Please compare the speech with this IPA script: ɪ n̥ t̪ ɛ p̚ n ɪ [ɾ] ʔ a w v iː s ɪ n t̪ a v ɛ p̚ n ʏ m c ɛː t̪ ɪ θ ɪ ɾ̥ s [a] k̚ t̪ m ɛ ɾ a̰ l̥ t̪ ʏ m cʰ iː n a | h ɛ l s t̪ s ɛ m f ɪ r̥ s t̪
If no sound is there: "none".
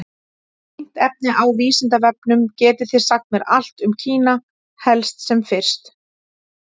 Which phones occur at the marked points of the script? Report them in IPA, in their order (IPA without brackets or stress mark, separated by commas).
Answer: none, a